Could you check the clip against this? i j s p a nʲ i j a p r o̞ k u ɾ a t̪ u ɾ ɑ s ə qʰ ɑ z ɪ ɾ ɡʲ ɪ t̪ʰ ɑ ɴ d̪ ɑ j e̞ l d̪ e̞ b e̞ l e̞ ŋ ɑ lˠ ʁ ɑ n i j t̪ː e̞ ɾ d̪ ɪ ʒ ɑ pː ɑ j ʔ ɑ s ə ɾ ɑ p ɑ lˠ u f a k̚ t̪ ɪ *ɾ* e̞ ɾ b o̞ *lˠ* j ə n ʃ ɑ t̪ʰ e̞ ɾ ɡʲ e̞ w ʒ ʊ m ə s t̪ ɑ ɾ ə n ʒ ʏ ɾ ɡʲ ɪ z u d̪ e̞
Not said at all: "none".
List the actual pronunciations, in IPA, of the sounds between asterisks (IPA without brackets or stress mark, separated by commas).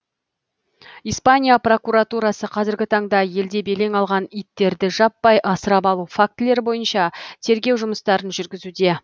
l, none